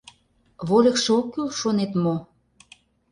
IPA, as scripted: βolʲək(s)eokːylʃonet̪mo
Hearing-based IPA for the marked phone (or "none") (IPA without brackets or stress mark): ʃ